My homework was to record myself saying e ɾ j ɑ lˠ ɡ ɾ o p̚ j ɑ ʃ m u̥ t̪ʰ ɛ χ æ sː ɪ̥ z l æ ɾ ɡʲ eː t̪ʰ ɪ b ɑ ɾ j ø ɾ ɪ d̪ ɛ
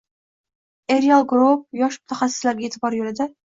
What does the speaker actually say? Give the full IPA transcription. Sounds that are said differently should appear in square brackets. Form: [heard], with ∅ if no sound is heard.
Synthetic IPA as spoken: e ɾ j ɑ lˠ ɡ ɾ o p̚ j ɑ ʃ m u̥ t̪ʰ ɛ χ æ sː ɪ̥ [s] l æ ɾ ɡʲ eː t̪ʰ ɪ b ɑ ɾ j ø [l] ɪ d̪ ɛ